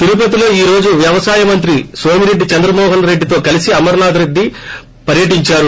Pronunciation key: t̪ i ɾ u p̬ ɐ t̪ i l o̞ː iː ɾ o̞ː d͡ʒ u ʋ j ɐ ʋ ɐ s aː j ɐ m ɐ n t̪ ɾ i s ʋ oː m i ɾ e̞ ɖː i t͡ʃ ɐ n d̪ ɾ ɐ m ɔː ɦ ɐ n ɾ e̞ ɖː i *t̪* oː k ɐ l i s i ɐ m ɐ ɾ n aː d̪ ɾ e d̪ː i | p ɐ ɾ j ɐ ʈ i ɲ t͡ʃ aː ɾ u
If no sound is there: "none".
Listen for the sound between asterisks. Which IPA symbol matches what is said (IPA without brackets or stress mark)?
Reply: t̪